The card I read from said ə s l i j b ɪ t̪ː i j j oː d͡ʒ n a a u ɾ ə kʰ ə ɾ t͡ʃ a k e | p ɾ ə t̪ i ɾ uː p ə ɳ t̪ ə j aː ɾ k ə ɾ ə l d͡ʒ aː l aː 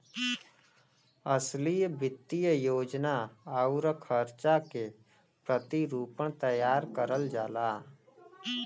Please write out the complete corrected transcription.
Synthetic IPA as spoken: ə s l i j b ɪ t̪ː i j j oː d͡ʒ n a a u ɾ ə kʰ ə ɾ t͡ʃ a k e | p ɾ ə t̪ i ɾ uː p ə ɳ t̪ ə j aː ɾ k ə ɾ ə l d͡ʒ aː l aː